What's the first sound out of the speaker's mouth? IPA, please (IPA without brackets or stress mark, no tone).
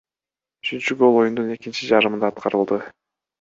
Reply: y